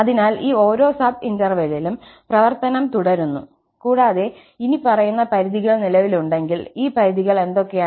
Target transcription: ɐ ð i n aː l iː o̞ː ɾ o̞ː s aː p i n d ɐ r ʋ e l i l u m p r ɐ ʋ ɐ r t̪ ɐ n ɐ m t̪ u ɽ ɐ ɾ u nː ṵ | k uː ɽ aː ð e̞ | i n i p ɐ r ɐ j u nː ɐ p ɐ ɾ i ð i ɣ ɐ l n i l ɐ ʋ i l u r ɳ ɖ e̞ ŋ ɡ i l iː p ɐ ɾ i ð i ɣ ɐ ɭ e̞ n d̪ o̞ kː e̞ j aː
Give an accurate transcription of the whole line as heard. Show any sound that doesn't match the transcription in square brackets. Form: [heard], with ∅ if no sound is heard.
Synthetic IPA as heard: ɐ ð i n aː l iː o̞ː ɾ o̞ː s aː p i n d ɐ r ʋ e l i l u m p r ɐ ʋ ɐ r t̪ ɐ n ɐ m t̪ u ɽ ɐ ɾ u nː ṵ | k uː ɽ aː ð e̞ | i n i p ɐ r ɐ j u nː ɐ p ɐ ɾ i ð i ɣ ɐ [ɭ] n i l ɐ ʋ i l u [∅] ɳ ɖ e̞ ŋ ɡ i l iː p ɐ ɾ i ð i ɣ ɐ ɭ e̞ n d̪ o̞ kː e̞ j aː